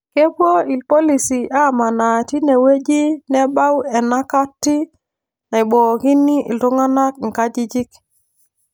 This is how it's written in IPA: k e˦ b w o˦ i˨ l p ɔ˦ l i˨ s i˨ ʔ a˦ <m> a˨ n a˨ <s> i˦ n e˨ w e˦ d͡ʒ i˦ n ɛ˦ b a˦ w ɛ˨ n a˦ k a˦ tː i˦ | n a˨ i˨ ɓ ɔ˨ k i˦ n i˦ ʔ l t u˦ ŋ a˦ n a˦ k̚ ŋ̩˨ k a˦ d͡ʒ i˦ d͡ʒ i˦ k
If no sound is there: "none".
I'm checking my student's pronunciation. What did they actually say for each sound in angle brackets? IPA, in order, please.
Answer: m, t

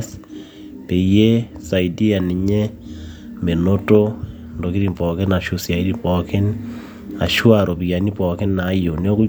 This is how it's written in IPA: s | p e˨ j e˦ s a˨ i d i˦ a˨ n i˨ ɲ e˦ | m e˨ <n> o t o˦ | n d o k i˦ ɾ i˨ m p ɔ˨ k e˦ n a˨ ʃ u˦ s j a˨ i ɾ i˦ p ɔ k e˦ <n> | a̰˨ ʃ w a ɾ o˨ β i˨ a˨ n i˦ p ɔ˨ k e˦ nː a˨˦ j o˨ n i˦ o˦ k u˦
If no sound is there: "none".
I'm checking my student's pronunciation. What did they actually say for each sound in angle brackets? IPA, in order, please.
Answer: n, n

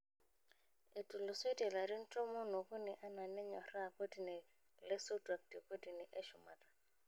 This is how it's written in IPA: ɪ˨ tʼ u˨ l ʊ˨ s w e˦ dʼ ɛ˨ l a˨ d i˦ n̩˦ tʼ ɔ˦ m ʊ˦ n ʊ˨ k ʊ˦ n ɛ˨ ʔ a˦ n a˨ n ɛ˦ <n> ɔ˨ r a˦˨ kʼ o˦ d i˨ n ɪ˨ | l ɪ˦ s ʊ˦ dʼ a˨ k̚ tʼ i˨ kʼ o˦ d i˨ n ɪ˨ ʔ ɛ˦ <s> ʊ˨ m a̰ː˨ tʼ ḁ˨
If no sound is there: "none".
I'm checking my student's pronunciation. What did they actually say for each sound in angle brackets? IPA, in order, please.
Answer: ɲ, ʃ

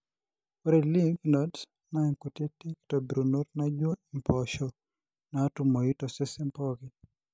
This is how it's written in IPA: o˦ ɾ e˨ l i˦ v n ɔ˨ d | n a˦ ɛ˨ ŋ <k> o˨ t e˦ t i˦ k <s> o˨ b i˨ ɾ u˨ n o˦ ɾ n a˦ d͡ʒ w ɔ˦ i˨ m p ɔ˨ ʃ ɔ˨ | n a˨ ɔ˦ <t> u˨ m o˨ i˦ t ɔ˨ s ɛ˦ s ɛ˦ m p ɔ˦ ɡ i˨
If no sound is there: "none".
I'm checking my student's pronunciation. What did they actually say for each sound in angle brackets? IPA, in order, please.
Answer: k, t, t

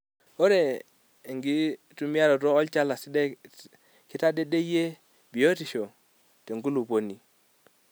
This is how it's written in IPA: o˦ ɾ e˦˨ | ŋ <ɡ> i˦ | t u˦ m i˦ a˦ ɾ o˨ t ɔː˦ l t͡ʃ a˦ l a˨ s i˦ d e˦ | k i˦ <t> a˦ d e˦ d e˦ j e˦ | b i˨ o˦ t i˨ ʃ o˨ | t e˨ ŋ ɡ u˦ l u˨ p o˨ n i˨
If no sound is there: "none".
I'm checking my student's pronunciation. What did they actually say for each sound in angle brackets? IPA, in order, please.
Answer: ɡ, t

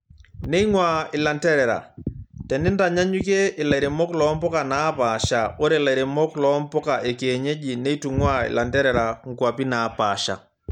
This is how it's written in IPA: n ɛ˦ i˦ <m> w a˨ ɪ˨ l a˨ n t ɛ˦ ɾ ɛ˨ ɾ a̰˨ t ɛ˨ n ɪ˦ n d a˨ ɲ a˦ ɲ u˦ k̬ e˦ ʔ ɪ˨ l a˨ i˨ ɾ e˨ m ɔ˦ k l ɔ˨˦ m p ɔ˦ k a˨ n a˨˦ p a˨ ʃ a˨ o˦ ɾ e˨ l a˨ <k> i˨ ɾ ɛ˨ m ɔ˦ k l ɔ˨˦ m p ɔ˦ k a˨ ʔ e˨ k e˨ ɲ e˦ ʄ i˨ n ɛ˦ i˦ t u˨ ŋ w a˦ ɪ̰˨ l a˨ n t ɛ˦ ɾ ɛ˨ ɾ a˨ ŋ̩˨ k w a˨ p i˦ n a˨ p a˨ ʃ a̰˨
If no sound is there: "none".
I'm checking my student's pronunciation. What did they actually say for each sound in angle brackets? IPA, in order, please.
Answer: ŋ, none

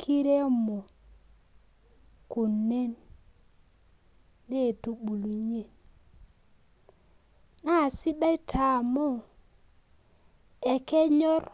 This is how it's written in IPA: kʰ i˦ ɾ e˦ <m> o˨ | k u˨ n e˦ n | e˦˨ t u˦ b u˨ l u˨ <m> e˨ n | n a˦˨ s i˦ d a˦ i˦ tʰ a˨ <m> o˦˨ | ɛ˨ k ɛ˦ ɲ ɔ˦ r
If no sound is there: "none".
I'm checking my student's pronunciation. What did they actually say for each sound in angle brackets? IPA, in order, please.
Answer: m, ɲ, m

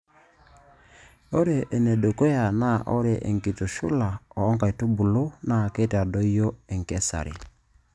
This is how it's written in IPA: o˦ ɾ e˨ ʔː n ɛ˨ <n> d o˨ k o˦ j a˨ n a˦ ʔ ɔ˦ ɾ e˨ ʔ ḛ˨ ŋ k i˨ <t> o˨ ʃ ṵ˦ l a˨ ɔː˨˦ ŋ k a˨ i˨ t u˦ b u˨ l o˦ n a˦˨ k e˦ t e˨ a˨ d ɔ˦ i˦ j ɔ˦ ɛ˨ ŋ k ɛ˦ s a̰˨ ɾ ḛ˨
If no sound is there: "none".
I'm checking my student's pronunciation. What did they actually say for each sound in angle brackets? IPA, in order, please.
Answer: none, t

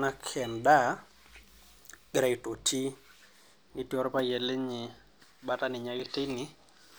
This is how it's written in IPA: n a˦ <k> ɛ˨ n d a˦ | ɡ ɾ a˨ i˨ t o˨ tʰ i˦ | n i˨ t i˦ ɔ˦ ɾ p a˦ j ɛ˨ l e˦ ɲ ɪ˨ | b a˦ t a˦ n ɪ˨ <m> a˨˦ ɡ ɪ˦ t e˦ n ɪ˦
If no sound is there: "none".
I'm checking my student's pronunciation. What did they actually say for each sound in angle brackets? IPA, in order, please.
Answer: kʰ, ɲ

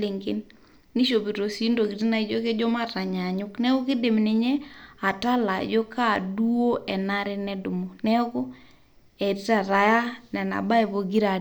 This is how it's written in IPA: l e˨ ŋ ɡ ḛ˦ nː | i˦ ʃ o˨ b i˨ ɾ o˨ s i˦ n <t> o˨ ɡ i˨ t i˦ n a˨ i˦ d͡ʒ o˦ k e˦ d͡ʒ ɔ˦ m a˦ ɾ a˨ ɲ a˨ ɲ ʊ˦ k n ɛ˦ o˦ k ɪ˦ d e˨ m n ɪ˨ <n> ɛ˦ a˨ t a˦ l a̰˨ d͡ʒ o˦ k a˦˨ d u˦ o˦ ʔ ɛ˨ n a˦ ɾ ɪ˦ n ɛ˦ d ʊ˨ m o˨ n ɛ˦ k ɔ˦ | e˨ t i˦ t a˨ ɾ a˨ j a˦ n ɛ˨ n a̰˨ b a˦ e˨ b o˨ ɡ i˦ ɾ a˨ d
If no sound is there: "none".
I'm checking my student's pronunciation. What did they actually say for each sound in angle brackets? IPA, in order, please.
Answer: d, ɲ

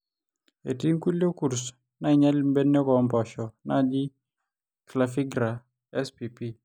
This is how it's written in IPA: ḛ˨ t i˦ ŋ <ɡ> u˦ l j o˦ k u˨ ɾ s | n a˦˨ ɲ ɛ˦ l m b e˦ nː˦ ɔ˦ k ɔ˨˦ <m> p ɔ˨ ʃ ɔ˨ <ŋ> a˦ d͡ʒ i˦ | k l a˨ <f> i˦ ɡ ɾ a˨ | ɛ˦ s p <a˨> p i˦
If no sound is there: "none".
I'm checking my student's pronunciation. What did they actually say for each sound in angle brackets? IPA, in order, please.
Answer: k, m, n, f, i˨

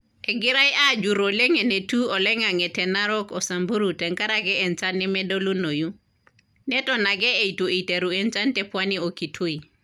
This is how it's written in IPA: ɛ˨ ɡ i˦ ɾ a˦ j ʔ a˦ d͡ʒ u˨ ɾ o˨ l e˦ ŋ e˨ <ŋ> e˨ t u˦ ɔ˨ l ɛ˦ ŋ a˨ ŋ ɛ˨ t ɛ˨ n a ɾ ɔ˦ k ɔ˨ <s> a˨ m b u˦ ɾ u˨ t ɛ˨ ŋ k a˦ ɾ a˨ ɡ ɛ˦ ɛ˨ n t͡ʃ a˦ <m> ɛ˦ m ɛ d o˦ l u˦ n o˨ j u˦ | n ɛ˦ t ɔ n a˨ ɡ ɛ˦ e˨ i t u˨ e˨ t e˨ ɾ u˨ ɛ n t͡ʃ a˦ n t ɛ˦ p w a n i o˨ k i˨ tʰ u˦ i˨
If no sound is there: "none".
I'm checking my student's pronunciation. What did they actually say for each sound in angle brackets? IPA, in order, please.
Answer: n, s, n

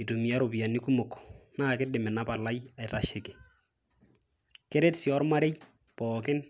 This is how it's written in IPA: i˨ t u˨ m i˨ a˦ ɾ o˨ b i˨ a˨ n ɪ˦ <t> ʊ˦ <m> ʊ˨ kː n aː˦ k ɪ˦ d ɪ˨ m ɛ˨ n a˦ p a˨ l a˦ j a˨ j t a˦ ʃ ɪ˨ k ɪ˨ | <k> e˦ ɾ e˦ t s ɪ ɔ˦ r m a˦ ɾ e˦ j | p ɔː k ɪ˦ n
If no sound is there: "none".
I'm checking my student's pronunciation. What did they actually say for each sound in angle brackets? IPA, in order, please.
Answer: k, m, k

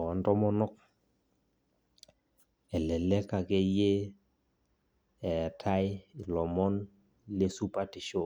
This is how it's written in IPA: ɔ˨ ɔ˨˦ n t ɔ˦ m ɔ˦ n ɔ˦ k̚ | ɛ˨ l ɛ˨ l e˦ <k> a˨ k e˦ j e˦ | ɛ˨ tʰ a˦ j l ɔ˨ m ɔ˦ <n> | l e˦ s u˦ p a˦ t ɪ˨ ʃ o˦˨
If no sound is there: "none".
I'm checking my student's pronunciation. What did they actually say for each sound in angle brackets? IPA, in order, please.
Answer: k, n

